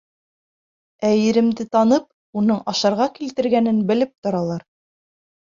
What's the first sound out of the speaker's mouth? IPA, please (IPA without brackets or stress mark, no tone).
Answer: æ